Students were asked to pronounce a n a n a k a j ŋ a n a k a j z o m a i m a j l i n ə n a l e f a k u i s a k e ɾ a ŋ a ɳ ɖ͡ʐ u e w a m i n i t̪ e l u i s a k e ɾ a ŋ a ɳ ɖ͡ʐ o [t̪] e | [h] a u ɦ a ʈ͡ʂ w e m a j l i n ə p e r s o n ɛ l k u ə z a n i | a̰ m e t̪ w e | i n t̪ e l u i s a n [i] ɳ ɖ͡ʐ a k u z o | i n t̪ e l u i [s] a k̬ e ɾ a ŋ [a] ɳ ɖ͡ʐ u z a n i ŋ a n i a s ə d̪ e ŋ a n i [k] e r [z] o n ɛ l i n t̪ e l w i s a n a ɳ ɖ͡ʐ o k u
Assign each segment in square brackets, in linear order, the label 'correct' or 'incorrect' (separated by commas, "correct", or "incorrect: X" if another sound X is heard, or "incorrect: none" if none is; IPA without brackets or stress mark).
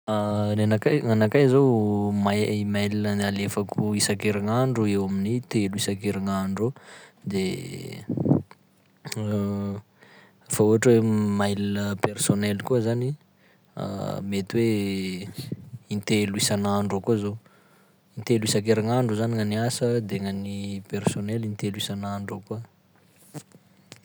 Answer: incorrect: d̪, incorrect: f, incorrect: a, correct, correct, incorrect: p, incorrect: s